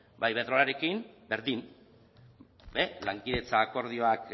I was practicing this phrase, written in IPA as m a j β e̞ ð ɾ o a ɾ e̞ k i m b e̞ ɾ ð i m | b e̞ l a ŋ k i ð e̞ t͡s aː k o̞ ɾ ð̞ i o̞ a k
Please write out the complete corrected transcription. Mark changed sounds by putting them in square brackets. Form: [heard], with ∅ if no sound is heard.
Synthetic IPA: [b] a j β e̞ ð ɾ o a ɾ e̞ k i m b e̞ ɾ ð i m | b e̞ l a ŋ k i ð e̞ t͡s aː k o̞ ɾ ð̞ i o̞ a k